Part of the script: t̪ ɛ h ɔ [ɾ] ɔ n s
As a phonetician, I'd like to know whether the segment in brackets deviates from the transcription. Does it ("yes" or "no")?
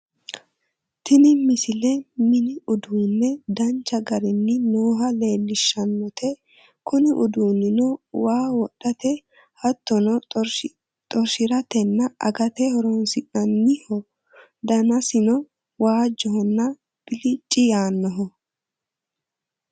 no